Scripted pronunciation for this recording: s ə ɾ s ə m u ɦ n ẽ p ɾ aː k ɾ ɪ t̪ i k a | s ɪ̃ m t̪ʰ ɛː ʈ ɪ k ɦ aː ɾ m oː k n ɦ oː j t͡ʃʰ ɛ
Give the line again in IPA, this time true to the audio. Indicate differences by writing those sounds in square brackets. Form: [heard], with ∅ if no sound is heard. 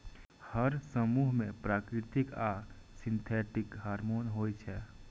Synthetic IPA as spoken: [h] ə ɾ s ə m u ɦ [m] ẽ p ɾ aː k ɾ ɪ t̪ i k a | s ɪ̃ [n] t̪ʰ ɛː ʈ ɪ k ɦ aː ɾ m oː [∅] n ɦ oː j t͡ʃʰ ɛ